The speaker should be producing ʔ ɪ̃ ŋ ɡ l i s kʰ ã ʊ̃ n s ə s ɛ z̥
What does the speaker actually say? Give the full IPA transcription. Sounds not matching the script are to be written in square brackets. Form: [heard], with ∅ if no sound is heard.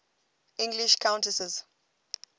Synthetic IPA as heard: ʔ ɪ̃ ŋ ɡ l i [ʃ] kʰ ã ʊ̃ n [t] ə s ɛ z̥

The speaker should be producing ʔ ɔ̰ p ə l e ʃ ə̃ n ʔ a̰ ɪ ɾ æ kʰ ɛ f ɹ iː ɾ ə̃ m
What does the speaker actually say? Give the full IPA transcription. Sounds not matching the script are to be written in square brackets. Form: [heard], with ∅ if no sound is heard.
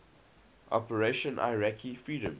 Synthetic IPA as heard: ʔ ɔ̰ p ə [ɹ] e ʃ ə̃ n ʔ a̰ ɪ [ɹ] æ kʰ [i] f ɹ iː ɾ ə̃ m

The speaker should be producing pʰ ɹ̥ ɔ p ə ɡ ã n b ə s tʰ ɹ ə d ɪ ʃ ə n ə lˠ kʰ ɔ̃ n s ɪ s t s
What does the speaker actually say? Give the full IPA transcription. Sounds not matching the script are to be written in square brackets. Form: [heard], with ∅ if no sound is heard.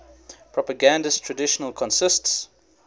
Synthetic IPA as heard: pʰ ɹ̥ ɔ p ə ɡ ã n [d] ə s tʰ ɹ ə d ɪ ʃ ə n ə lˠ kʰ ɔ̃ n s ɪ s t s

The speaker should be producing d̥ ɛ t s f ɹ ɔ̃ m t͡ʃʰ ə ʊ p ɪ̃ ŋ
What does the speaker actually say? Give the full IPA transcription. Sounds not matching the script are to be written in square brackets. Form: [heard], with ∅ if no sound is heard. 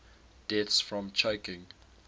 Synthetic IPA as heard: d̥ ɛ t s f ɹ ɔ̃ m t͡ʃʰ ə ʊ [k] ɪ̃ ŋ

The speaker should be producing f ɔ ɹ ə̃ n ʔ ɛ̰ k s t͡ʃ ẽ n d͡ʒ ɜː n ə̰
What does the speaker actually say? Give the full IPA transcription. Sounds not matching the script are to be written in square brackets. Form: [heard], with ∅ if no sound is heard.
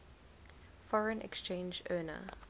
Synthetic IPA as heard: f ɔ ɹ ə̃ n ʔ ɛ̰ k s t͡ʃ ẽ n d͡ʒ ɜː n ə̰

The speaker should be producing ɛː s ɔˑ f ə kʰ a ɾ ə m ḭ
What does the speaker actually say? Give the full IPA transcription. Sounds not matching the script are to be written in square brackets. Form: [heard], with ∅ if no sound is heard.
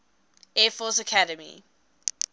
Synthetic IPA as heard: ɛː [f] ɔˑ [s] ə kʰ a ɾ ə m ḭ

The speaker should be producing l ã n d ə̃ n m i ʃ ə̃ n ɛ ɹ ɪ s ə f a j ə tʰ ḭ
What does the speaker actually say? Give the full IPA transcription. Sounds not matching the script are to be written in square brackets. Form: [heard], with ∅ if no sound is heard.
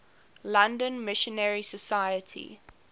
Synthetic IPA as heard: l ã n d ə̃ n m [ɪ] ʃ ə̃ n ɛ ɹ [i] s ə [s] a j ə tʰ ḭ

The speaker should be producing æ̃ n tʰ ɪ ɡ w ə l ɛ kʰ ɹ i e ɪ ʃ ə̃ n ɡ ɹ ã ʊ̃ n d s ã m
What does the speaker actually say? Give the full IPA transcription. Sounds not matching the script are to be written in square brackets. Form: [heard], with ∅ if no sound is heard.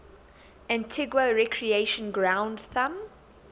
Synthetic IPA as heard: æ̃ n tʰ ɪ ɡ w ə [ɹ] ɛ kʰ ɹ i e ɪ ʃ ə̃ n ɡ ɹ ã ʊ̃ n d [θ] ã m

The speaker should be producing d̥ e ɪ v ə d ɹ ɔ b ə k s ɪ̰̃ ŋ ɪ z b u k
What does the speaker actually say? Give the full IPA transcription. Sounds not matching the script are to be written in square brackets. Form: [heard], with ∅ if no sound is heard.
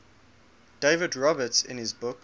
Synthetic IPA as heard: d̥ e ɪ v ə d ɹ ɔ b ə [t] s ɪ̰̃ [n] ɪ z b [ʊ] k

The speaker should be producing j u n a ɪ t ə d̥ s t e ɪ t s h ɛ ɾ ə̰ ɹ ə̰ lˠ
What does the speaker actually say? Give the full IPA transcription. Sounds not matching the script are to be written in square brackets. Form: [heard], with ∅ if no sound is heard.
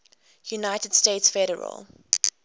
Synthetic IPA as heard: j u n a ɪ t ə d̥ s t e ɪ t s [f] ɛ ɾ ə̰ ɹ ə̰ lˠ

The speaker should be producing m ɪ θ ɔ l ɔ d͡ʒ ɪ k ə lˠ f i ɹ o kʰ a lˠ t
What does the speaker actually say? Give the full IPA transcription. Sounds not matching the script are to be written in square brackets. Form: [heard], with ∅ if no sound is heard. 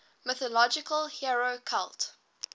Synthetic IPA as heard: m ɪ θ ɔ l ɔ d͡ʒ ɪ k ə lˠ [h] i ɹ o kʰ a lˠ t

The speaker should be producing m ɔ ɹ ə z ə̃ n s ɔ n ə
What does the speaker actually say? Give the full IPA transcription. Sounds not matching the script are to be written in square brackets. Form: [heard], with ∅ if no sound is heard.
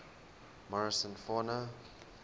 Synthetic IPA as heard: m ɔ ɹ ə [s] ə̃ n [f] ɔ n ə

